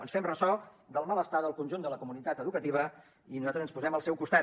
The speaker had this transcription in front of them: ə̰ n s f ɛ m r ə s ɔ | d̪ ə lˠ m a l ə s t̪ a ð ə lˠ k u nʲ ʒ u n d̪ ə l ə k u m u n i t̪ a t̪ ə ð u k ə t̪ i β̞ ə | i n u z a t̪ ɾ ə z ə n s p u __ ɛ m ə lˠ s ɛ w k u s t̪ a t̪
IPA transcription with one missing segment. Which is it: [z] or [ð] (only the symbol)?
z